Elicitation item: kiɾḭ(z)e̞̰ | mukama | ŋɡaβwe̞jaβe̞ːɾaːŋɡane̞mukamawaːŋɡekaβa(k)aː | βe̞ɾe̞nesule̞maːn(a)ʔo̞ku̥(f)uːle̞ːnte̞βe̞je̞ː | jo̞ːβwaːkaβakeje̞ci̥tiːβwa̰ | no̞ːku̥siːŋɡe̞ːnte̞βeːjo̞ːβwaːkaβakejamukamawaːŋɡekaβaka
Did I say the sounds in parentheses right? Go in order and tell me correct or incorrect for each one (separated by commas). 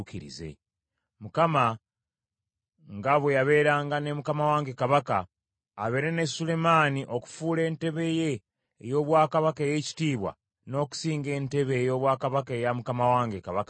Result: correct, correct, incorrect, correct